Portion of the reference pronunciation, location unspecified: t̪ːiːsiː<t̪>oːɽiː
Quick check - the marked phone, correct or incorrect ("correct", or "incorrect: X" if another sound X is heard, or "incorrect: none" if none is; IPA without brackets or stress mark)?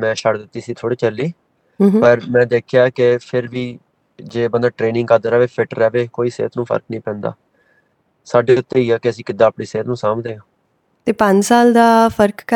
incorrect: t̪ʰ